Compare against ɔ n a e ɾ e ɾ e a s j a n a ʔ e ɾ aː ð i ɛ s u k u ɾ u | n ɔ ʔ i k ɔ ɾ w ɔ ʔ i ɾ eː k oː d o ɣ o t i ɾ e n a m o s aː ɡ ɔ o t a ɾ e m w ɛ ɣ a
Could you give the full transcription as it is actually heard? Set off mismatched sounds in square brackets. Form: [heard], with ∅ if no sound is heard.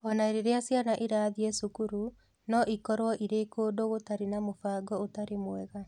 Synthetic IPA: ɔ n a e ɾ e ɾ e a s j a n a ʔ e ɾ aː ð i ɛ s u k u ɾ u | n ɔ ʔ i k ɔ ɾ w ɔ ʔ i ɾ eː k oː d o ɣ o t [a] ɾ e n a m o [f] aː ɡ ɔ o t a ɾ e m w ɛ ɣ a